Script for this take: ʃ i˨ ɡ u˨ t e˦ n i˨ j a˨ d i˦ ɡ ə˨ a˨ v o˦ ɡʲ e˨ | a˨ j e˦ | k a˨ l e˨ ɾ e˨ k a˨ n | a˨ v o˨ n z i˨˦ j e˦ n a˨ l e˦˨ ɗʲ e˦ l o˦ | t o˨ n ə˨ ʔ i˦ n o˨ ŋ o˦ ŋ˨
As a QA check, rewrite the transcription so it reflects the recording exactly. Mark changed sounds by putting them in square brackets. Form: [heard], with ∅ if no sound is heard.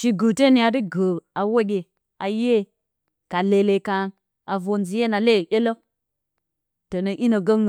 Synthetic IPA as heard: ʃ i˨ ɡ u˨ t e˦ n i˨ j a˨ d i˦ ɡ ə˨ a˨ [w] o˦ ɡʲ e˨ | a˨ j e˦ | k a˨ l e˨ [l] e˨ k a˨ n | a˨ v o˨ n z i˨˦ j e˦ n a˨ l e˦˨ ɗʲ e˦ l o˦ | t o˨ n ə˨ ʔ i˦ n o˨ [ɡ] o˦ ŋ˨